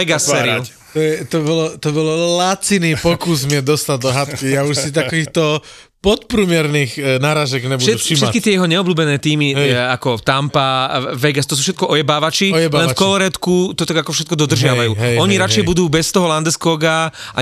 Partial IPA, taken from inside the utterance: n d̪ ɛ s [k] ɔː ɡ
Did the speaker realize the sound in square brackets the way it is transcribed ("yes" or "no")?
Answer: yes